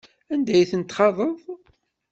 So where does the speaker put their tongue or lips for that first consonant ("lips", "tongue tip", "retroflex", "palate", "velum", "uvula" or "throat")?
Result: tongue tip